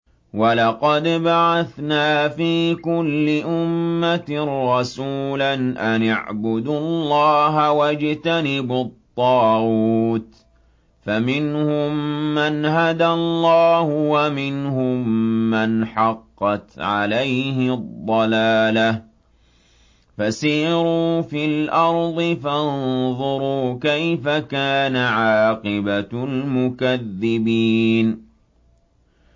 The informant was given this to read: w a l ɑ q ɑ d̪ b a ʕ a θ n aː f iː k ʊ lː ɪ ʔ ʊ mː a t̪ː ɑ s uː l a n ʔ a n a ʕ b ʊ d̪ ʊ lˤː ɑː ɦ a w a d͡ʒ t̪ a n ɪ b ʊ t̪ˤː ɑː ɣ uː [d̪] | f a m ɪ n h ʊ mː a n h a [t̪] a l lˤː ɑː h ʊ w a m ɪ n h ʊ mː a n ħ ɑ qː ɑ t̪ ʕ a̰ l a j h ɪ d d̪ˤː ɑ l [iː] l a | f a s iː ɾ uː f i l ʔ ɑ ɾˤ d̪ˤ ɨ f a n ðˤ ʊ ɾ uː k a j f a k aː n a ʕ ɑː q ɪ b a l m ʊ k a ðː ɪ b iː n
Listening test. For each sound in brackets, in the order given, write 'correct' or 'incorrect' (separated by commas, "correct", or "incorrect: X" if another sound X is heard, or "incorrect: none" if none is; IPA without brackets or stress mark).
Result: incorrect: t̪, incorrect: d̪, incorrect: aː